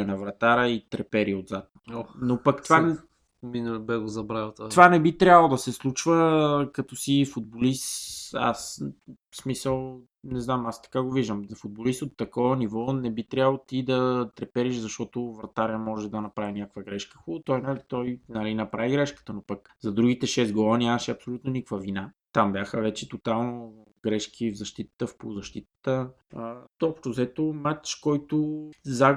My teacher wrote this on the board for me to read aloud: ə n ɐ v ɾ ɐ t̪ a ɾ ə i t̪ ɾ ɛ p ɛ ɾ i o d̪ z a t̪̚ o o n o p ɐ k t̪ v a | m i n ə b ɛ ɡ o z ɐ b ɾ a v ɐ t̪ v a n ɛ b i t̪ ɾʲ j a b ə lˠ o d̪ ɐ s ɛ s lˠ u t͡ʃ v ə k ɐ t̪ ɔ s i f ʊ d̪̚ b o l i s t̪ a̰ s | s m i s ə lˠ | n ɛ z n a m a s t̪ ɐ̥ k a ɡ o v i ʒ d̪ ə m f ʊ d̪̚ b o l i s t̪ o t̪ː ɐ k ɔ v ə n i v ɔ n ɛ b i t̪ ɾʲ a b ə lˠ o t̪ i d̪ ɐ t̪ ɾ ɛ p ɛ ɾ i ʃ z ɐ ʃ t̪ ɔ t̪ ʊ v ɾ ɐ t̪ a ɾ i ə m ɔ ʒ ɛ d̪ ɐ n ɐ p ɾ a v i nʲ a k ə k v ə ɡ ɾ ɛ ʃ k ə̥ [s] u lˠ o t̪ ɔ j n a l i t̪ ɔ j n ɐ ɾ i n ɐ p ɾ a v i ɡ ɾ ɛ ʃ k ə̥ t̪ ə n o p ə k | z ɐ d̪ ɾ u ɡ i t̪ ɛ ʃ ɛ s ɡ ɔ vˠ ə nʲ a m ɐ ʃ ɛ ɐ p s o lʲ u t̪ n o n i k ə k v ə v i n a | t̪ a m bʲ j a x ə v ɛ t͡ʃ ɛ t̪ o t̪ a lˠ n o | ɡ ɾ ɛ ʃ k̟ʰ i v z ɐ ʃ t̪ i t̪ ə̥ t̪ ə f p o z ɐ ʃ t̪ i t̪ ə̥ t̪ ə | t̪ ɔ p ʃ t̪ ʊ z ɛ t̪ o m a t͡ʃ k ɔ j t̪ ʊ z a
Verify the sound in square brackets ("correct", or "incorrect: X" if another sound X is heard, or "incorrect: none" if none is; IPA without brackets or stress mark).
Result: incorrect: x